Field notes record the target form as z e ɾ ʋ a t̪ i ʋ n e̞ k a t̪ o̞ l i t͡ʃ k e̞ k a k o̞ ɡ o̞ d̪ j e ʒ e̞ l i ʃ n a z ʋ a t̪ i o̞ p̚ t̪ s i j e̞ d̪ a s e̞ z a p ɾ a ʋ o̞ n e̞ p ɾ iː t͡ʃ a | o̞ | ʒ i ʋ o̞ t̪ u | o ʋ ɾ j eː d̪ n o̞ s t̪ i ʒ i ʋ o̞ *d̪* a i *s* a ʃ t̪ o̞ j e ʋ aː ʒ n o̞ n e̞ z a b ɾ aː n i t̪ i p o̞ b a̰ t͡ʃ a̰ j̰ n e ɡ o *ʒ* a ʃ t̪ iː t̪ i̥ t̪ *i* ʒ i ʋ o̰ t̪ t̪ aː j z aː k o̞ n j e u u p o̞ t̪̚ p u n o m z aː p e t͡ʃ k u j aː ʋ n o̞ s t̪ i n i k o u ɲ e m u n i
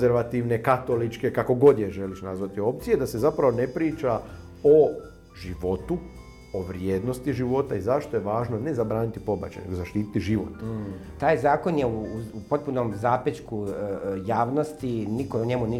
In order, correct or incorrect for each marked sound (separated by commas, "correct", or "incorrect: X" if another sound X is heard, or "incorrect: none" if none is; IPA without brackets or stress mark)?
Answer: incorrect: t̪, incorrect: z, incorrect: z, correct